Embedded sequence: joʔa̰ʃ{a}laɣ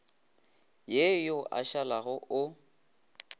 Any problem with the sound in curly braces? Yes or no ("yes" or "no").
no